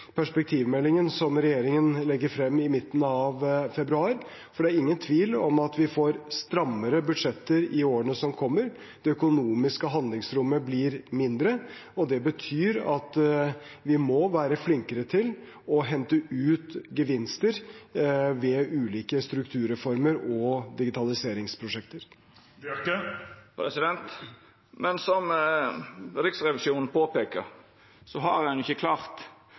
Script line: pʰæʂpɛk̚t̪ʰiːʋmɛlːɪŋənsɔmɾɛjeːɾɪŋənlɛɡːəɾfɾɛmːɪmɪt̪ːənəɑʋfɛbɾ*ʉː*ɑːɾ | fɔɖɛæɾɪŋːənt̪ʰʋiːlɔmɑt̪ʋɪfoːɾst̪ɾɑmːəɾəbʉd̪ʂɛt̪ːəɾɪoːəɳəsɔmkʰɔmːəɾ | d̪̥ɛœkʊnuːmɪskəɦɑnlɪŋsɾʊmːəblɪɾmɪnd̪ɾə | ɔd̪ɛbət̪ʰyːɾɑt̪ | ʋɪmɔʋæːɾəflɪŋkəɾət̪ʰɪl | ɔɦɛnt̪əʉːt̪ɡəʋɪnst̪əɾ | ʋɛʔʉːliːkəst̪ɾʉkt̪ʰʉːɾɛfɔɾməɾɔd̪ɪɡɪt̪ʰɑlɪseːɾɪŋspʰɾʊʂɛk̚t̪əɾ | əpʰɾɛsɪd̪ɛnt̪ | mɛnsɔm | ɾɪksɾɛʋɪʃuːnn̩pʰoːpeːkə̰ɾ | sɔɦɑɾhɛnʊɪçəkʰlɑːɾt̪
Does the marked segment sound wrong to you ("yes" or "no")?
yes